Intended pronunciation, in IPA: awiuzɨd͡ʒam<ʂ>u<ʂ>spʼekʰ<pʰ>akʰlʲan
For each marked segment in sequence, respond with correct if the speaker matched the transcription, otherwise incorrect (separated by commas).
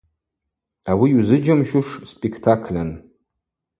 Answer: incorrect, correct, incorrect